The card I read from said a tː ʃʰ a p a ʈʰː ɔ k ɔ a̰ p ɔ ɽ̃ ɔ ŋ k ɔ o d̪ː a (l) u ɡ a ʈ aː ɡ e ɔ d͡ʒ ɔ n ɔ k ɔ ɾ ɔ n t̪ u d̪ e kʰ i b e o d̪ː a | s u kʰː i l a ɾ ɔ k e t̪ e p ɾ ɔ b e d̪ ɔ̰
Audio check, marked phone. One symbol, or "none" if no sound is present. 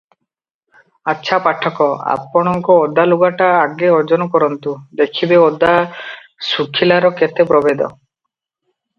l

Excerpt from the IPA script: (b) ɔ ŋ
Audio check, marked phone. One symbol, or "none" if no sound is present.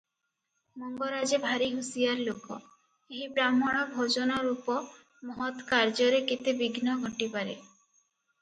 m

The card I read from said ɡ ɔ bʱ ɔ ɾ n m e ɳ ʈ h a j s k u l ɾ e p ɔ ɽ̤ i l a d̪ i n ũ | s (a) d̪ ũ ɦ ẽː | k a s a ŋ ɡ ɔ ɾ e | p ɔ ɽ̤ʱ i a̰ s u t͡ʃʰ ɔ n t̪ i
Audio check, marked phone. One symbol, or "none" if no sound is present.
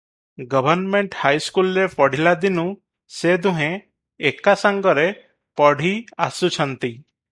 e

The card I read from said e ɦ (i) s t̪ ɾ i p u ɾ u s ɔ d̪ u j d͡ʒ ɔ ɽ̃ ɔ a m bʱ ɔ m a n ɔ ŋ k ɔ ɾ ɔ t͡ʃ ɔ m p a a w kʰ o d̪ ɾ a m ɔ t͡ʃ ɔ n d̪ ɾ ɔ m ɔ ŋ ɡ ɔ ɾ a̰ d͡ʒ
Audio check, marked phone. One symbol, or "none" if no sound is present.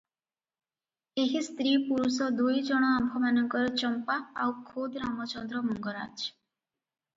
i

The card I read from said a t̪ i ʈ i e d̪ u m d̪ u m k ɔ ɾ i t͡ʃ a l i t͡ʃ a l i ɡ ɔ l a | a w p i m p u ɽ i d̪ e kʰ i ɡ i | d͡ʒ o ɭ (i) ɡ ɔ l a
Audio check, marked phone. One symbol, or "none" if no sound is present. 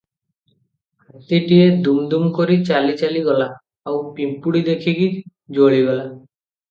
i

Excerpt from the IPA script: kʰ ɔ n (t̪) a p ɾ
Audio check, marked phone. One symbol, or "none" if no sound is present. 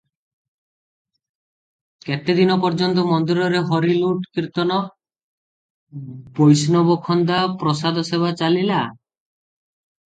d̪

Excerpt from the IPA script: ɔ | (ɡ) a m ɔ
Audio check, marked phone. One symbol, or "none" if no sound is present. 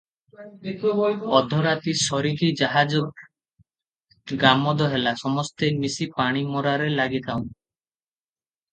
ɡ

